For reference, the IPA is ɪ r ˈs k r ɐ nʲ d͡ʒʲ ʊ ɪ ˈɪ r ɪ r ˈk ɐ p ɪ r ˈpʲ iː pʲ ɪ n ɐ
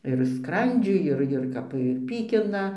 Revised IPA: ɪ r ˈs k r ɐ nʲ d͡ʒʲ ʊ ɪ ˈɪ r ɪ r ˈk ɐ p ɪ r ˈpʲ iː kʲ ɪ n ɐ